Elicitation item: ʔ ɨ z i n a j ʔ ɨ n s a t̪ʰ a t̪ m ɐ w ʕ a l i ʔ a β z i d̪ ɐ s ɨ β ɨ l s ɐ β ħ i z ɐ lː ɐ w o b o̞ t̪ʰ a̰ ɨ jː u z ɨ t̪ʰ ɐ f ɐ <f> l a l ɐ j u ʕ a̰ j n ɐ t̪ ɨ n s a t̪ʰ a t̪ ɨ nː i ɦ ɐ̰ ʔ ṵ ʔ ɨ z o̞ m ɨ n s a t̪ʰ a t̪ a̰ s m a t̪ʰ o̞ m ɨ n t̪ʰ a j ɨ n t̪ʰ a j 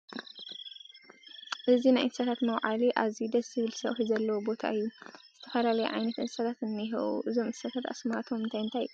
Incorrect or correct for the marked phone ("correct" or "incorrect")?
incorrect